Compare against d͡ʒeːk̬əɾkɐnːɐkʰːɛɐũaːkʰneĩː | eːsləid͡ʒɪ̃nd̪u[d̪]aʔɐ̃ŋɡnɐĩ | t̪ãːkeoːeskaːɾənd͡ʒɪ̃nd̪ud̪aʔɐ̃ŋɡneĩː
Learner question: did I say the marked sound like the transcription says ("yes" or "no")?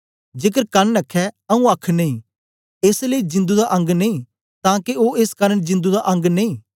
yes